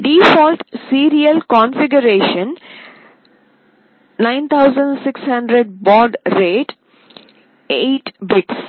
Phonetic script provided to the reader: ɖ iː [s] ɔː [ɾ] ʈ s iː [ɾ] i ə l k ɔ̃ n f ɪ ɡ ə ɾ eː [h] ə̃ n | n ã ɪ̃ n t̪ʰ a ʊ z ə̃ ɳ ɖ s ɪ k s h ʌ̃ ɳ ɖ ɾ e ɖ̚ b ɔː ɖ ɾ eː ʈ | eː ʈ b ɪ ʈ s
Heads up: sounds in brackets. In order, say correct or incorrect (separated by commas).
incorrect, incorrect, correct, incorrect